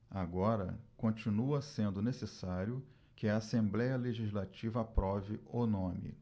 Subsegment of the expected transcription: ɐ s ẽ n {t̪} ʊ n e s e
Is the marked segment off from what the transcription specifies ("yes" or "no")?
yes